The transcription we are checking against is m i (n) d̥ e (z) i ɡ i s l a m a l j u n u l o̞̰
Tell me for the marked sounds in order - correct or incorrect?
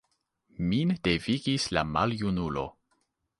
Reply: correct, incorrect: v

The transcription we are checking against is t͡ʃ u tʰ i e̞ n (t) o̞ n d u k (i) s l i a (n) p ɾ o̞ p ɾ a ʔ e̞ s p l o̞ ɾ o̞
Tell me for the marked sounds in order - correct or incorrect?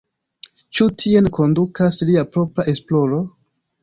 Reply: incorrect: k, incorrect: a, incorrect: none

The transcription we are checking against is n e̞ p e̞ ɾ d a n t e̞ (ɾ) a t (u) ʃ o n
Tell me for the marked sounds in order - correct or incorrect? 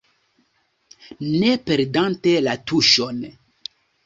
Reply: incorrect: l, correct

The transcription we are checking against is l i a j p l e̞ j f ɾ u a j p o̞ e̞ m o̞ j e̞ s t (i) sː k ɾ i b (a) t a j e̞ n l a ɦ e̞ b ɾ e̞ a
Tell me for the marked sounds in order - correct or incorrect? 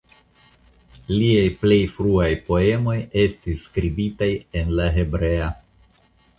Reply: correct, incorrect: i

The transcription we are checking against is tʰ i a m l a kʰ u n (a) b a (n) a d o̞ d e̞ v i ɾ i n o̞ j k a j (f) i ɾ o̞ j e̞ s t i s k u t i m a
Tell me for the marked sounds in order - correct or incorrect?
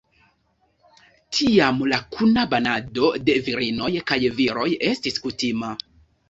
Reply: correct, correct, incorrect: v

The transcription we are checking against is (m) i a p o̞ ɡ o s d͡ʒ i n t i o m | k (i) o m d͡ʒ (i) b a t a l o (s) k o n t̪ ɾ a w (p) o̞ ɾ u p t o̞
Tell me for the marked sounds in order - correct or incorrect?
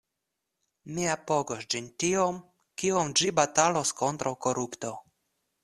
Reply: correct, correct, correct, correct, incorrect: k

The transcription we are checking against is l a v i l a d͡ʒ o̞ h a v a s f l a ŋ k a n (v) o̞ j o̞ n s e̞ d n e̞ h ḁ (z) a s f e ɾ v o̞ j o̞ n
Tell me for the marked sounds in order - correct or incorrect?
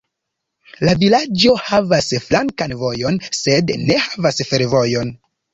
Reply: correct, incorrect: v

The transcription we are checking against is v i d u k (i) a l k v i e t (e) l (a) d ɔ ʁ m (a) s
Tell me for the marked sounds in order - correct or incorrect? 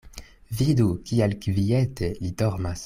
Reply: correct, correct, incorrect: i, correct

